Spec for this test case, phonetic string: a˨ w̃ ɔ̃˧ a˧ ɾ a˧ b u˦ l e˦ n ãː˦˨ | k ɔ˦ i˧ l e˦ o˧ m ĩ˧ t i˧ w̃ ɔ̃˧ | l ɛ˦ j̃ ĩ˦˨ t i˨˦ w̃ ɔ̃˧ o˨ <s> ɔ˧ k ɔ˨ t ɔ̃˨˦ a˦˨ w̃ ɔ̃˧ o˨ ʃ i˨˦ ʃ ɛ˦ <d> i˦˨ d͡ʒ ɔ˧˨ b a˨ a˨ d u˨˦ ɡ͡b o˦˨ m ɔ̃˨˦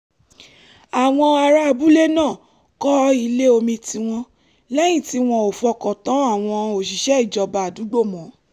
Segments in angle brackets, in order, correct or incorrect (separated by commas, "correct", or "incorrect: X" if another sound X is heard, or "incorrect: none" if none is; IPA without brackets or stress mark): incorrect: f, incorrect: none